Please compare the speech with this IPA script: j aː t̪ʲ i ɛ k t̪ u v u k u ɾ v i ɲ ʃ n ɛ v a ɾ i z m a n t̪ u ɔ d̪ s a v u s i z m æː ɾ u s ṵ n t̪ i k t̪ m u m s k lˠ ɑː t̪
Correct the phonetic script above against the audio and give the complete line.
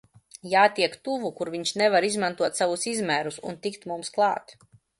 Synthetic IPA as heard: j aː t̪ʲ i ɛ k t̪ u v u k u ɾ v i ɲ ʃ n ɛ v a ɾ i z m a n t̪ u ɔ t̪ s a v u s i z m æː ɾ u s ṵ n t̪ i k t̪ m u m s k lˠ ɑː t̪